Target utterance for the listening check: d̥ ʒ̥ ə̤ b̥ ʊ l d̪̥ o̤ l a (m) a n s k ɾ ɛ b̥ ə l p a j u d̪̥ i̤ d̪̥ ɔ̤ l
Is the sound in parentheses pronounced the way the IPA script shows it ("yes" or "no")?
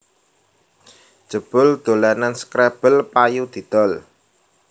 no